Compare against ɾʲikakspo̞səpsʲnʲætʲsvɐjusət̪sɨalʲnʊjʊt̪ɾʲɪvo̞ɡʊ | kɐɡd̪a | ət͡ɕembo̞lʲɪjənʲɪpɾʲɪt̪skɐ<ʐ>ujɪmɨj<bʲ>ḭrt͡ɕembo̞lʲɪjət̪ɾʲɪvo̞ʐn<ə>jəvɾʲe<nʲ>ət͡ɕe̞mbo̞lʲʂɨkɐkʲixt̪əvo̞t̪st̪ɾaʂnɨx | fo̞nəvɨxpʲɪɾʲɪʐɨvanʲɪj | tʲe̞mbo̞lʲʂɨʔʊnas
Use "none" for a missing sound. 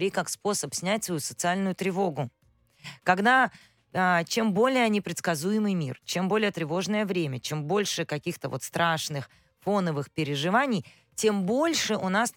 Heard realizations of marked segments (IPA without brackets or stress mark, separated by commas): z, mʲ, ə, mʲ